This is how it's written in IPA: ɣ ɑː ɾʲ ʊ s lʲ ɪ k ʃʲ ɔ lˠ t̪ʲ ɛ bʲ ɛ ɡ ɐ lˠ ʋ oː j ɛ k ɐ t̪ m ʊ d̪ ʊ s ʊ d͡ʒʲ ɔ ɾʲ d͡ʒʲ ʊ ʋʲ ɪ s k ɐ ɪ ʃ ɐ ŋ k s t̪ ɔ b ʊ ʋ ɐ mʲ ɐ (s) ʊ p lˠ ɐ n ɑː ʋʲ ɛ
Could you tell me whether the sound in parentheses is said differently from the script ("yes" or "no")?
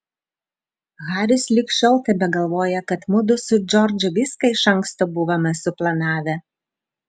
no